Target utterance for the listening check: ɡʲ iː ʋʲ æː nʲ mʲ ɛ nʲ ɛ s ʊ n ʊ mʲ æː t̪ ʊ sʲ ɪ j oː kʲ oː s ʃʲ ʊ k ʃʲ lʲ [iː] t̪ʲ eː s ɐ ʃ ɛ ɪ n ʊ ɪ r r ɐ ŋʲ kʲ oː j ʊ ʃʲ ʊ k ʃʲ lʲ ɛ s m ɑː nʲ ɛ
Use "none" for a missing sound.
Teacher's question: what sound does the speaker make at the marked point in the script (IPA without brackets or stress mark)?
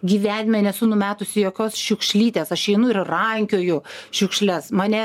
iː